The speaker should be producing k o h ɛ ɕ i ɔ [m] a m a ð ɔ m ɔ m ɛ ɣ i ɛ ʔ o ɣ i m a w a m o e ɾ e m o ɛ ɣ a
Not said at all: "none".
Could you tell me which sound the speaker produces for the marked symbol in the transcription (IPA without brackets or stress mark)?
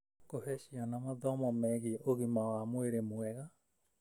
n